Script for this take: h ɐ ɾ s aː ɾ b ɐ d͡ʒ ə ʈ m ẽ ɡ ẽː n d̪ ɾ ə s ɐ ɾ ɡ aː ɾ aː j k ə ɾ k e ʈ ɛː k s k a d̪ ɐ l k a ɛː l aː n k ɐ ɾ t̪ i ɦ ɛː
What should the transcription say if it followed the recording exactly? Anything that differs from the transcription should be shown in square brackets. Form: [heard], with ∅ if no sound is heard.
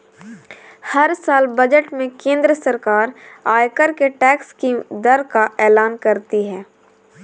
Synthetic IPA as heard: h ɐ ɾ s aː [l] b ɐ d͡ʒ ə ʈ m ẽ [k] ẽː n d̪ ɾ ə s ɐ ɾ [k] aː ɾ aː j k ə ɾ k e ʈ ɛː k s k [i] d̪ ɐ [ɾ] k a ɛː l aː n k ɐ ɾ t̪ i ɦ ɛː